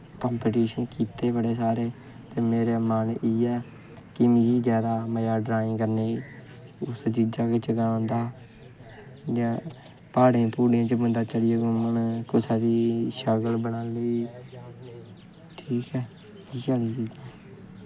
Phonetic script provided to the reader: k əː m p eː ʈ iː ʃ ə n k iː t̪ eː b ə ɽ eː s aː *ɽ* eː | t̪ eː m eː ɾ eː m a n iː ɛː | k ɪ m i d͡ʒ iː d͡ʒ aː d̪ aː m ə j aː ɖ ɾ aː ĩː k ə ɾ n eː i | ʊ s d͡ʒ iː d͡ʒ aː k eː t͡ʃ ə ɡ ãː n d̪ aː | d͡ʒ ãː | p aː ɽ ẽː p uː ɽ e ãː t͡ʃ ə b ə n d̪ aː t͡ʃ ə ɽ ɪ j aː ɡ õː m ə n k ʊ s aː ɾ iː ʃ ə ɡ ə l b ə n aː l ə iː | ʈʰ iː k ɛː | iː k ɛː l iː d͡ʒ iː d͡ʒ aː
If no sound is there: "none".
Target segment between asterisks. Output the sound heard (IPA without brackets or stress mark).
ɾ